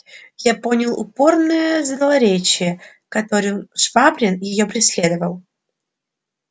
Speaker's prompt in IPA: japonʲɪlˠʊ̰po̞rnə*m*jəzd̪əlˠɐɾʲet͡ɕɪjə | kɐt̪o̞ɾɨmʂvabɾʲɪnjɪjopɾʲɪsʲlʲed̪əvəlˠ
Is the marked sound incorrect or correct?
incorrect: none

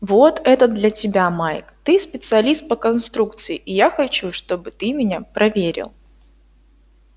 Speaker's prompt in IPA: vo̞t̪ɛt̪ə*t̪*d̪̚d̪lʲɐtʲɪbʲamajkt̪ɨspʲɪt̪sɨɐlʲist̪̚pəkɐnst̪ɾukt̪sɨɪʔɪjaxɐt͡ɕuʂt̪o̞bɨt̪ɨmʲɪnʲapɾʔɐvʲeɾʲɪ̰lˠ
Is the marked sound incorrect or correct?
incorrect: none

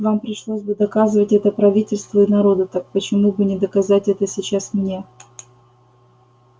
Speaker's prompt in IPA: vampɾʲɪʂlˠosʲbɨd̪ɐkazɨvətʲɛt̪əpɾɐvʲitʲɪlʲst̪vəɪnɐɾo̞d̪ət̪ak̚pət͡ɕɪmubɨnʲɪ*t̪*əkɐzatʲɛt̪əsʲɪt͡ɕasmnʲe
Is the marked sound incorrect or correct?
incorrect: d̪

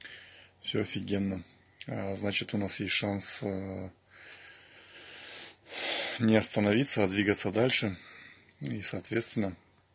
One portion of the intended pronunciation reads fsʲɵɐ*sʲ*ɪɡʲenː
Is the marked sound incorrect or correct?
incorrect: fʲ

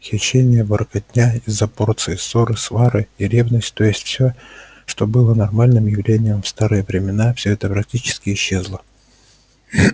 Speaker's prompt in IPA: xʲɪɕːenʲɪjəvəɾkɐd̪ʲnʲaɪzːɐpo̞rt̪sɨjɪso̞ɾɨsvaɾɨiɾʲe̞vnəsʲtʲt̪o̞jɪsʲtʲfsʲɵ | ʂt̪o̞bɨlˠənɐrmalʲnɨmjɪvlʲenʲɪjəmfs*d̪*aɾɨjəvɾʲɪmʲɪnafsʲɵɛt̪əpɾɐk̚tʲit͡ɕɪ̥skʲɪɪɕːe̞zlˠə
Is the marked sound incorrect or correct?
incorrect: t̪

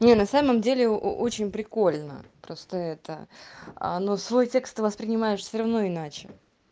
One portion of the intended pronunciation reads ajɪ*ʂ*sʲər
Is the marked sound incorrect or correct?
correct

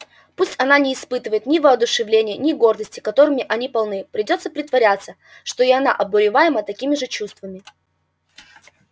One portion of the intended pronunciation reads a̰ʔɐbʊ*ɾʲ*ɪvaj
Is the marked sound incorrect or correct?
correct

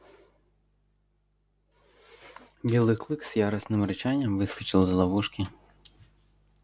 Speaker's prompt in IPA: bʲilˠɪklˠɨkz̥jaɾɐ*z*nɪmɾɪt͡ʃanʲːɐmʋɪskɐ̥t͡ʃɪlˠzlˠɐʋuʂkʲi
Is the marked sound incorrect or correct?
incorrect: s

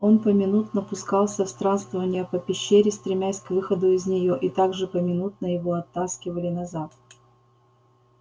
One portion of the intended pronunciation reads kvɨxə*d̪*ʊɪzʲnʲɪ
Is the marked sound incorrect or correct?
correct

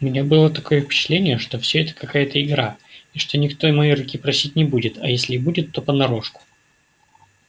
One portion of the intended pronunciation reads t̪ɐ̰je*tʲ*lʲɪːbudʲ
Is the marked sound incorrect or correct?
incorrect: sʲ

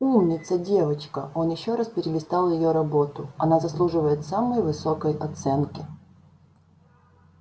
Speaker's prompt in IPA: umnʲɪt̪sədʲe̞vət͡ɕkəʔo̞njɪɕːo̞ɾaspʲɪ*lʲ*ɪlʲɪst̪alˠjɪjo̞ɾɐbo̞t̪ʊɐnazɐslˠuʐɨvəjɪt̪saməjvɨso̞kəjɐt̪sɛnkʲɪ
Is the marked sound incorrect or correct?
incorrect: ɾʲ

